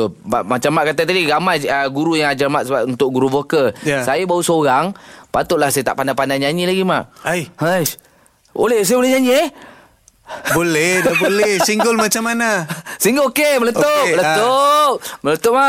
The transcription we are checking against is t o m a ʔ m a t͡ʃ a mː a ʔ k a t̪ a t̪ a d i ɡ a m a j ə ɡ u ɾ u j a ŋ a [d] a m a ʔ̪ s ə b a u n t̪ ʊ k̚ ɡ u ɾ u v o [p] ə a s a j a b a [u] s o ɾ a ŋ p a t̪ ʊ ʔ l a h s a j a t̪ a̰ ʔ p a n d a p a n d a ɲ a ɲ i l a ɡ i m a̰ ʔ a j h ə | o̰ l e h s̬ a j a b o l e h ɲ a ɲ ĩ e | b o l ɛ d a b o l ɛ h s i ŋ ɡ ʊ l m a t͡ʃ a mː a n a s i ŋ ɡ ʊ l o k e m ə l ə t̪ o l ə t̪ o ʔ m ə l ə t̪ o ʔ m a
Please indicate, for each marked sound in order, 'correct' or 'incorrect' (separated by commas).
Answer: incorrect, incorrect, correct